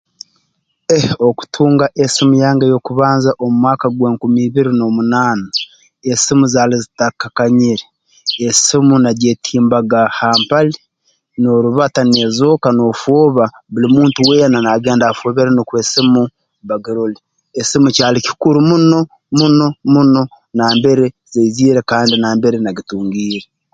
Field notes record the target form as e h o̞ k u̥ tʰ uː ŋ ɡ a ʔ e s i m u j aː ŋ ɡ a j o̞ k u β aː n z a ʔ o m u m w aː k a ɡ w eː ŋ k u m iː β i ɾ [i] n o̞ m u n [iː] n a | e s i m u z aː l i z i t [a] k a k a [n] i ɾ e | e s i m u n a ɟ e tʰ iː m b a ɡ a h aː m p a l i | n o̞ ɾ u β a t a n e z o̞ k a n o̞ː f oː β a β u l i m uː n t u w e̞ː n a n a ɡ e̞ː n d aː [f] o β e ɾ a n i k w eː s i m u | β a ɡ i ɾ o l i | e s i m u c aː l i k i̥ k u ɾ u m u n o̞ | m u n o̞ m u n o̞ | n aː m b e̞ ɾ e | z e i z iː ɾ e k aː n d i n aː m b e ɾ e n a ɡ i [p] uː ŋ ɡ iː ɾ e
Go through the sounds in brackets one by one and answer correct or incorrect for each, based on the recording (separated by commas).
correct, incorrect, correct, incorrect, correct, incorrect